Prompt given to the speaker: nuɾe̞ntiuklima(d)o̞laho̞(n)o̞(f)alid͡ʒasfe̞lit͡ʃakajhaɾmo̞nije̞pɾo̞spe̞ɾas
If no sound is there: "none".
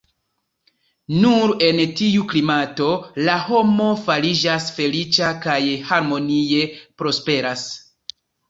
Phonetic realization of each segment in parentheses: t, m, f

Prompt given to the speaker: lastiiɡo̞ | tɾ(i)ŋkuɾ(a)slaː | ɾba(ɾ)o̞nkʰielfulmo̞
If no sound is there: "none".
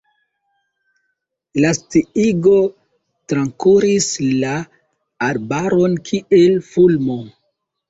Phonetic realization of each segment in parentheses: a, i, ɾ

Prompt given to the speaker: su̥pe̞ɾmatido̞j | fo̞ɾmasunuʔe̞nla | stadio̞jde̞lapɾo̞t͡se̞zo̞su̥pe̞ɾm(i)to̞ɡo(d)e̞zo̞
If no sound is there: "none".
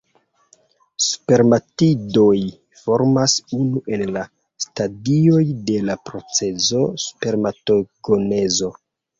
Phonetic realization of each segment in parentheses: a, n

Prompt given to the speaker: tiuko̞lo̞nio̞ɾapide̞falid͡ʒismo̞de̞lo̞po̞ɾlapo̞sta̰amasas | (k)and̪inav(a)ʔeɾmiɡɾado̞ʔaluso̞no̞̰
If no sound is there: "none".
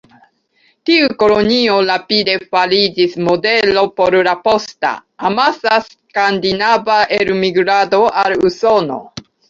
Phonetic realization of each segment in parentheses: k, a

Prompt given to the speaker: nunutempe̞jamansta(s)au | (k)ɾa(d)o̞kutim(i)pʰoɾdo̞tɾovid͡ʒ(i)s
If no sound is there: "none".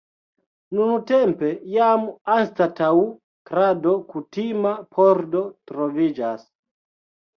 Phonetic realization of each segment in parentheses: t, k, d, a, a

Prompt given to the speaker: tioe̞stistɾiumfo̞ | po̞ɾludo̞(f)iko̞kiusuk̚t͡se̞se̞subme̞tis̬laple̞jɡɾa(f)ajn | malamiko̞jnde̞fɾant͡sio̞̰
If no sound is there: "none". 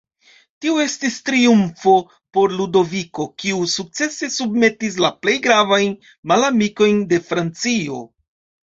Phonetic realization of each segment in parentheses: v, v

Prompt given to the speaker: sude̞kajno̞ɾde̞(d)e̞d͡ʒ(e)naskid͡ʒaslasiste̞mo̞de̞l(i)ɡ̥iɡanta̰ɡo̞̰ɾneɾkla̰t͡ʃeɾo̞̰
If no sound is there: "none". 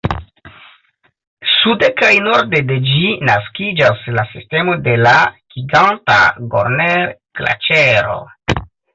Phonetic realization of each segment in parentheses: d, i, a

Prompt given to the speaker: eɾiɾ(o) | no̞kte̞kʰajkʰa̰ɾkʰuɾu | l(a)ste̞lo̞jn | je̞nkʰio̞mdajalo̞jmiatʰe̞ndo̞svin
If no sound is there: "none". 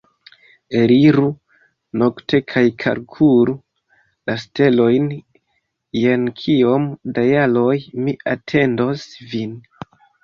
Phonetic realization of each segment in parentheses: u, a

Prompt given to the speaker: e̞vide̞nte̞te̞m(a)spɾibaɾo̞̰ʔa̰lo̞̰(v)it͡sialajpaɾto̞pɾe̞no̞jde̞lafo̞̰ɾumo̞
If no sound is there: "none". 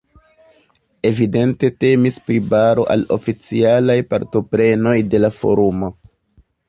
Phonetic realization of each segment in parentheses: i, f

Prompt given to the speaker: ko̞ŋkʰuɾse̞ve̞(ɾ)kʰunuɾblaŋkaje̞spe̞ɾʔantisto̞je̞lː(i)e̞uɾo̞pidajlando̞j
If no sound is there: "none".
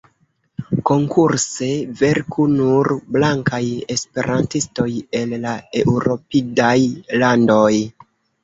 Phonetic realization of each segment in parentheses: ɾ, a

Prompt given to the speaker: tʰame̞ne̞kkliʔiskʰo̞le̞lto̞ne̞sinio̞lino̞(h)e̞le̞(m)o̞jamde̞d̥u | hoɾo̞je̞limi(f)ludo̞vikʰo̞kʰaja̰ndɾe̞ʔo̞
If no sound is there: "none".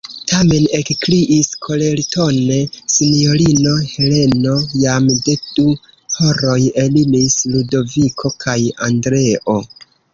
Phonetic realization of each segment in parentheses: h, n, s

